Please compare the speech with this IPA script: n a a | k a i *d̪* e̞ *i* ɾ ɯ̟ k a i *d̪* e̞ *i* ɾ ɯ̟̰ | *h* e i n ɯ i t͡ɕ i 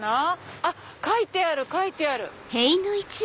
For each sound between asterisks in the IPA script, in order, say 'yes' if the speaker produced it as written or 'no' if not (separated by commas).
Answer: no, no, no, no, yes